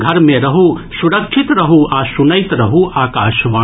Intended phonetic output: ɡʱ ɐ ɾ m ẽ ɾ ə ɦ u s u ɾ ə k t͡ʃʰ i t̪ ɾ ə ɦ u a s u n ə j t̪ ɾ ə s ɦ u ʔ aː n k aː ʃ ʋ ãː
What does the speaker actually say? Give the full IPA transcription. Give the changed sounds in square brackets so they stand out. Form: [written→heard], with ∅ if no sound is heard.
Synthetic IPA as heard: ɡʱ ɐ ɾ m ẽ ɾ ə ɦ u s u ɾ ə k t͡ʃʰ i t̪ ɾ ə ɦ u a s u n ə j t̪ ɾ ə [s→∅] ɦ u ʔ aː [n→∅] k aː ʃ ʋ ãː